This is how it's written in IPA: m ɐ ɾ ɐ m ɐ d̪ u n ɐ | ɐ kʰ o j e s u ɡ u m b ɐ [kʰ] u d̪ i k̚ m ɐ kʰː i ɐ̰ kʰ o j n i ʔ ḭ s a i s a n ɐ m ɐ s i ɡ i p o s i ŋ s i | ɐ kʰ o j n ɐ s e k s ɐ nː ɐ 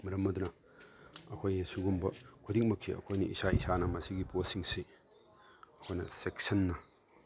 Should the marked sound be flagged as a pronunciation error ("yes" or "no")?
no